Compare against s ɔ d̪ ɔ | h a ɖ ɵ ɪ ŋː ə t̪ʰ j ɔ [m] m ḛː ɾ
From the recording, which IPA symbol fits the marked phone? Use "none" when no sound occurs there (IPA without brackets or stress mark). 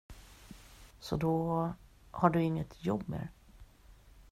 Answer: b